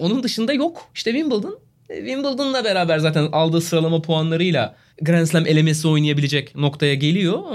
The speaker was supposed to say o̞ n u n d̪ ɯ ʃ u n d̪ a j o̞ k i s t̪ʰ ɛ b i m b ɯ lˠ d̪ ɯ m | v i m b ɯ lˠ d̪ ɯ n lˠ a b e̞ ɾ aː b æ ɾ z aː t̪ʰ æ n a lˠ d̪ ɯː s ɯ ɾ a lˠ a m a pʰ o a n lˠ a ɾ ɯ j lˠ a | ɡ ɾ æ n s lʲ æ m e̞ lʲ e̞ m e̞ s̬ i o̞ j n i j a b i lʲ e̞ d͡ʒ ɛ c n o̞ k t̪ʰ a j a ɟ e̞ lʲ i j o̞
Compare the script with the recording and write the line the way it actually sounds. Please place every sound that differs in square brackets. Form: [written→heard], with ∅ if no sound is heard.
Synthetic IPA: o̞ n u n d̪ ɯ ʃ [u→ɯ] n d̪ a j o̞ k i [s→ʃ] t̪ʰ ɛ [b→v] i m b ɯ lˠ d̪ ɯ [m→n] | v i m b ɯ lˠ d̪ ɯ n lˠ a b e̞ ɾ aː b æ ɾ z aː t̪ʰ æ n a lˠ d̪ ɯː s ɯ ɾ a lˠ a m a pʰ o a n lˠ a ɾ ɯ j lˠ a | ɡ ɾ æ n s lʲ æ m e̞ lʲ e̞ m e̞ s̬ i o̞ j n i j a b i lʲ e̞ d͡ʒ ɛ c n o̞ k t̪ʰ a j a ɟ e̞ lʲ i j o̞